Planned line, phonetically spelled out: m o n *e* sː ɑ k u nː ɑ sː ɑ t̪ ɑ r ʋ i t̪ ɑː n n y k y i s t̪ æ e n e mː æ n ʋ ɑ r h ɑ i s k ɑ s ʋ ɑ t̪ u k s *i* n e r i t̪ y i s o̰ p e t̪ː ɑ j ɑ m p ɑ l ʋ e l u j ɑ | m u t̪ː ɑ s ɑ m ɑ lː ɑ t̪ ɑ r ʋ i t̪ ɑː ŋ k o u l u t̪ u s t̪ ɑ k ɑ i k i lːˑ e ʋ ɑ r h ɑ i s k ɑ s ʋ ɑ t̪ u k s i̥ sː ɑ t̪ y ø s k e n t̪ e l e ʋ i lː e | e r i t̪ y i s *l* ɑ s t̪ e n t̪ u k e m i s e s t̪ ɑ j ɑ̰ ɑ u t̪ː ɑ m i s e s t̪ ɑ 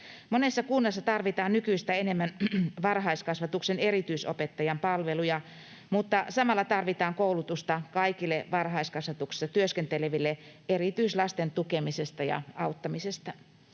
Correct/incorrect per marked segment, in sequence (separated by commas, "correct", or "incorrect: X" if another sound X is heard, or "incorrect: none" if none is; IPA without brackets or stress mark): correct, incorrect: e, correct